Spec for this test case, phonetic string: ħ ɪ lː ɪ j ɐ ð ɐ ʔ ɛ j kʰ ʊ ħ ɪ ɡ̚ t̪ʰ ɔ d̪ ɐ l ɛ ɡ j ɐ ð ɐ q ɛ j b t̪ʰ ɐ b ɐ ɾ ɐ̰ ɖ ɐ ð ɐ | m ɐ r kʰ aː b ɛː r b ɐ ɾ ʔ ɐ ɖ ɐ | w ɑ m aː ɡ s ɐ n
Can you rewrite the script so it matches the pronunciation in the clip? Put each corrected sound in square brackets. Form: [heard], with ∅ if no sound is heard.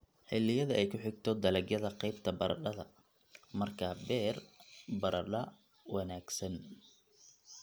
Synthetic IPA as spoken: ħ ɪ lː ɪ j ɐ ð ɐ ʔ ɛ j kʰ ʊ ħ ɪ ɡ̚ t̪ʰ ɔ d̪ ɐ l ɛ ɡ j ɐ ð ɐ q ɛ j b t̪ʰ ɐ b ɐ ɾ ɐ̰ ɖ ɐ ð ɐ | m ɐ r kʰ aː b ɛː r b ɐ ɾ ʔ ɐ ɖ ɐ | w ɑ [n] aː ɡ s ɐ n